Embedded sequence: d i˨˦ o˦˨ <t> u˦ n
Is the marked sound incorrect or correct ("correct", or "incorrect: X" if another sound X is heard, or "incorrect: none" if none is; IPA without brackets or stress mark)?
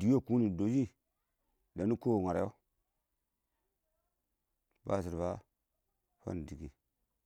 incorrect: k